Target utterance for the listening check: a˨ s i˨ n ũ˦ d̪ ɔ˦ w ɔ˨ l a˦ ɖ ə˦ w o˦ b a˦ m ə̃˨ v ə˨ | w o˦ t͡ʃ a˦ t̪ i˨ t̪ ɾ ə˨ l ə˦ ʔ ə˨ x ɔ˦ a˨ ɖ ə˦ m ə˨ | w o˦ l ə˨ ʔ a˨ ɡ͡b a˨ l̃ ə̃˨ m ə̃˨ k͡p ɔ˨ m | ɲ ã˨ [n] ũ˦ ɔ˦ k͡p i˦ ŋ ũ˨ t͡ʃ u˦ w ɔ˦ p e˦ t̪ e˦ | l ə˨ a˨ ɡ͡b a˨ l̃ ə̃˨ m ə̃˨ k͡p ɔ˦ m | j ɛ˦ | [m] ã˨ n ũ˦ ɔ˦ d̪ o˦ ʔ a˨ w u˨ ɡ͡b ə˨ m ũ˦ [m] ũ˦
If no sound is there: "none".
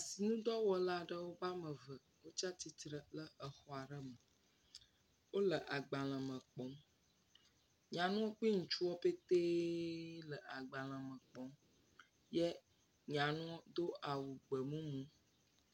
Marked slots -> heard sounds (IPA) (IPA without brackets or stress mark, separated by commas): n, ɲ, m